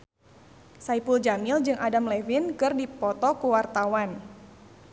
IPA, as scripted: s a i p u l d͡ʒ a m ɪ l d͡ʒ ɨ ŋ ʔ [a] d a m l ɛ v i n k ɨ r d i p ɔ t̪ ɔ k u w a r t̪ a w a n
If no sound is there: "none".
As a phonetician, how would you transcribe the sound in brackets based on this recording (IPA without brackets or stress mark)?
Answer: a